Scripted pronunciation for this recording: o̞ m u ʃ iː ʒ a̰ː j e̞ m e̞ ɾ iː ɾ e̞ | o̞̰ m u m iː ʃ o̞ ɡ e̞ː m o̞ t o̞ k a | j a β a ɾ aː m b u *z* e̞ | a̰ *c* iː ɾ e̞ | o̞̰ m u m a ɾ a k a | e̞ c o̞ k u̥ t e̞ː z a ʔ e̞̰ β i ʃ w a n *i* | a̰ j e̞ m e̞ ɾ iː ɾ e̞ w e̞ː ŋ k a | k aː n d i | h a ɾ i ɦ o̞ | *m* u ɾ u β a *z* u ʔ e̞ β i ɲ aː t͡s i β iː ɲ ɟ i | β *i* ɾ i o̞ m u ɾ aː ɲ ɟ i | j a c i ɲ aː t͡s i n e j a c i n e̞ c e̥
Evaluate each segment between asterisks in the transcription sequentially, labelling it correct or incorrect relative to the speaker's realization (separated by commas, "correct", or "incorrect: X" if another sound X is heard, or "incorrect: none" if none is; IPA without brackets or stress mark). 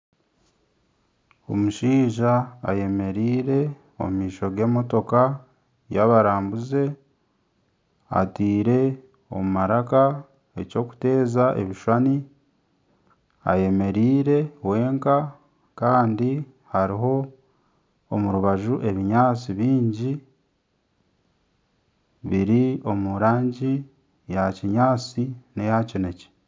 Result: correct, incorrect: t, correct, correct, incorrect: ʒ, correct